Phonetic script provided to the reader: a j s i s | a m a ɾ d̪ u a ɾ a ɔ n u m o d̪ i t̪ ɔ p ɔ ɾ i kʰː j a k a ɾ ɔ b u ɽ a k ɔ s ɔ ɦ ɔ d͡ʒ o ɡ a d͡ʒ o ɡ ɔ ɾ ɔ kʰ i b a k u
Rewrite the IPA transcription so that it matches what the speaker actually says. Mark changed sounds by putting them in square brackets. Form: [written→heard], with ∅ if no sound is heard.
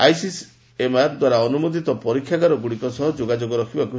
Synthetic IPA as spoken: a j s i s | [a→e] m a ɾ d̪ [u→w] a ɾ a ɔ n u m o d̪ i t̪ ɔ p ɔ ɾ i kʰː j a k a ɾ ɔ [b→ɡ] u ɽ [a→i] k ɔ s ɔ ɦ ɔ d͡ʒ o ɡ a d͡ʒ o ɡ ɔ ɾ ɔ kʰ i b a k u